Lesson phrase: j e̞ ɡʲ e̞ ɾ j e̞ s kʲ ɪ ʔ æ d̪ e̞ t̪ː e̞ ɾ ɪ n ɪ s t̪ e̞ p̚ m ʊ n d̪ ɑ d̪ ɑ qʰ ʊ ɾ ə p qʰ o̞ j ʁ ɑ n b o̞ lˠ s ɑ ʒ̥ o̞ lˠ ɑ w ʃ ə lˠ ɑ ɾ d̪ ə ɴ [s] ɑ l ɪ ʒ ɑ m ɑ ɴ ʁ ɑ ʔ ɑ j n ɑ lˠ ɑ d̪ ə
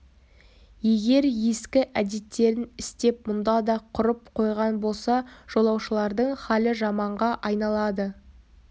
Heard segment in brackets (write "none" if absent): χ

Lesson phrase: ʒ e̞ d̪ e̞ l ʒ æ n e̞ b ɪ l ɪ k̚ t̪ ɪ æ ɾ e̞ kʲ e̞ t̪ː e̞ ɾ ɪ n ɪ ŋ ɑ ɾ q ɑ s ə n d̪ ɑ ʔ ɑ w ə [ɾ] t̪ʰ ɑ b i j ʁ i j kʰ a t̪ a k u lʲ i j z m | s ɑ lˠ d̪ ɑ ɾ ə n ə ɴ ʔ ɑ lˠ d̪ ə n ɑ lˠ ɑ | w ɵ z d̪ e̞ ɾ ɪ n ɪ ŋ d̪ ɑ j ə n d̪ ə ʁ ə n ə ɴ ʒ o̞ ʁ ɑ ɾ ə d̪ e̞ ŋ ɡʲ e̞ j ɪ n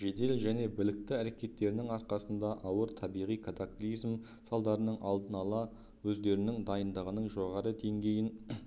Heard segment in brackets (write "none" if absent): ɾ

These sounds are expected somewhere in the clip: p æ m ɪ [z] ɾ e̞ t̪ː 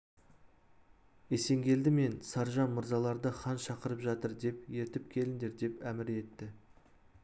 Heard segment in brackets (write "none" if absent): none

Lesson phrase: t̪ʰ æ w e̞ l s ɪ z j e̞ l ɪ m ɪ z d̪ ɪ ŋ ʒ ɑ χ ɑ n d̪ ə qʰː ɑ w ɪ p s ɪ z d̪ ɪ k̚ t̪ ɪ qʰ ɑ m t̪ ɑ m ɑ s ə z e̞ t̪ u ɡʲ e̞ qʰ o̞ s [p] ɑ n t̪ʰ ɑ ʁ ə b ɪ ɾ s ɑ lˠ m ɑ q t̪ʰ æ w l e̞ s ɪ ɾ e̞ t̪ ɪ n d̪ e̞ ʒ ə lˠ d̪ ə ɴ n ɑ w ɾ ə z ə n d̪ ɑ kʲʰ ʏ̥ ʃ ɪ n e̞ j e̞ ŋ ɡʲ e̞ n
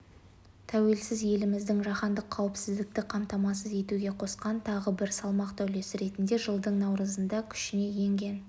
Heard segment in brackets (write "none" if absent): q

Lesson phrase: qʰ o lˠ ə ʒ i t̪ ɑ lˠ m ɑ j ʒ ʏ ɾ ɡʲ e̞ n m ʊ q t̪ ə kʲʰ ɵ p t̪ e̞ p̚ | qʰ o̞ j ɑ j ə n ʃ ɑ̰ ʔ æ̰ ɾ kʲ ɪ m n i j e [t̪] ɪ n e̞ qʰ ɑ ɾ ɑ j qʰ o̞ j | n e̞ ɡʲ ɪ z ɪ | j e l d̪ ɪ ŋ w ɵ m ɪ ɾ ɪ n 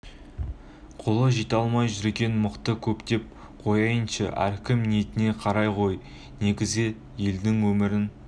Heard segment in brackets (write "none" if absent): t̪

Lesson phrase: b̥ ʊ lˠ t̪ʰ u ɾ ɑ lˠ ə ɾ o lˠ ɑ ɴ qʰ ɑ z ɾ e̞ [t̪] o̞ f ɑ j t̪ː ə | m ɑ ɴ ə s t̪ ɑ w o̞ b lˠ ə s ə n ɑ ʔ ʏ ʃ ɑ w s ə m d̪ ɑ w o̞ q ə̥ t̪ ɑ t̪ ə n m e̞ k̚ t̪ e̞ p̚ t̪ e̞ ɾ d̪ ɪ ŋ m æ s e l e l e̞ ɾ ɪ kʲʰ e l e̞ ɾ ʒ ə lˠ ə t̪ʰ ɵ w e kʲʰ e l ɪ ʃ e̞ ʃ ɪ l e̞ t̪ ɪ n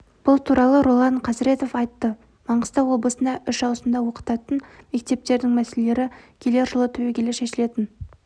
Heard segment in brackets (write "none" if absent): t̪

